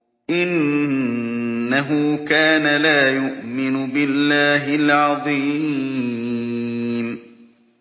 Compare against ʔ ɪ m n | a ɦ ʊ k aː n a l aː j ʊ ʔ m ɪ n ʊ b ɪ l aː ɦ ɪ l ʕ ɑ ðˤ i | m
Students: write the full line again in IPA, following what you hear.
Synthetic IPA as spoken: ʔ ɪ n | a ɦ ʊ k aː n a l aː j ʊ ʔ m ɪ n ʊ b ɪ lː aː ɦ ɪ l ʕ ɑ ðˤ i | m